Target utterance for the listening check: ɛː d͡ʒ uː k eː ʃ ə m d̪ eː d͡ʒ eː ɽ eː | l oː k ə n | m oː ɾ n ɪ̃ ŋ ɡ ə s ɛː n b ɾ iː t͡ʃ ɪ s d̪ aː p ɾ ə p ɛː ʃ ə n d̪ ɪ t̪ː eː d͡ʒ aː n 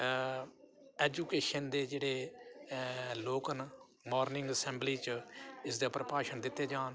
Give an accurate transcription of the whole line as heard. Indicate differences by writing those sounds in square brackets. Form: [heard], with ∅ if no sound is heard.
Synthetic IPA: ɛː d͡ʒ uː k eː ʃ ə [n] d̪ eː d͡ʒ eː ɽ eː | l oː k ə n | m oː ɾ n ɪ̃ ŋ ɡ ə s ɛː [m] b [l] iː t͡ʃ ɪ s d̪ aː p ɾ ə p [aː] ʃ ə n d̪ ɪ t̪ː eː d͡ʒ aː n